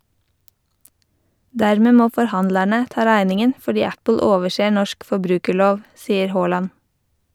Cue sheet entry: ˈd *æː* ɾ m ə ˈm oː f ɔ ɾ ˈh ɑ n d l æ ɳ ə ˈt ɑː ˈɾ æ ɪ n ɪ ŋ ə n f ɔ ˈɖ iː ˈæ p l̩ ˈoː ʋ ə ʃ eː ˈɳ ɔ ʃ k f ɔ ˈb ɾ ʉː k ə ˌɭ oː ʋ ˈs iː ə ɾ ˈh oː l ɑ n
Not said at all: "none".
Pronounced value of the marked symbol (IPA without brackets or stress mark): æ